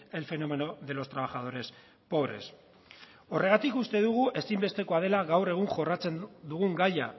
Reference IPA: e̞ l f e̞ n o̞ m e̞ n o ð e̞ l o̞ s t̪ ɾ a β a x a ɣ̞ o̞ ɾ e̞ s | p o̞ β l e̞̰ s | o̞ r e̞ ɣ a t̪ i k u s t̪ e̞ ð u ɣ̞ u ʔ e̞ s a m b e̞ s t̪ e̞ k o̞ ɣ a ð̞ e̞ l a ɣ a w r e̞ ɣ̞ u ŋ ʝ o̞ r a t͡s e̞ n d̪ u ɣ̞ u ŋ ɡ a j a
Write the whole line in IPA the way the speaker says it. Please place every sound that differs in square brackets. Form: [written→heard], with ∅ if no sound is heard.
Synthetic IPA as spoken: e̞ l f e̞ n o̞ m e̞ n o ð e̞ l o̞ s t̪ ɾ a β a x a [ɣ̞→ð̞] o̞ ɾ e̞ s | p o̞ β [l→ɾ] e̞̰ s | o̞ r e̞ ɣ a t̪ i k u s t̪ e̞ ð u ɣ̞ u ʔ e̞ s [a→i] m b e̞ s t̪ e̞ k o̞ [ɣ→∅] a ð̞ e̞ l a ɣ a w r e̞ ɣ̞ u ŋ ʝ o̞ r a t͡s e̞ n d̪ u ɣ̞ u ŋ ɡ a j a